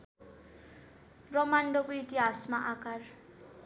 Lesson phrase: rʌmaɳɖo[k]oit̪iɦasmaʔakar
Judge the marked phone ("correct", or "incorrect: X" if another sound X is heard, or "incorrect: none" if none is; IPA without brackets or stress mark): correct